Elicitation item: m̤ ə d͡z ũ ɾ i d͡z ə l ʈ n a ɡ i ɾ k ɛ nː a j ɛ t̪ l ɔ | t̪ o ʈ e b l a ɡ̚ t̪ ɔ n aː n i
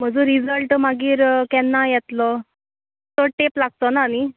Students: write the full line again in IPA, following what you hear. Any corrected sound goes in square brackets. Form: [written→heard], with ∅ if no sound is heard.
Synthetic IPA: m̤ ə d͡z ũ ɾ i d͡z ə l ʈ [n→m] a ɡ [i→iː] ɾ k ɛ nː a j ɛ t̪ l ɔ | t̪ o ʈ e [b→p] l a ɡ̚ t̪ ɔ n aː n i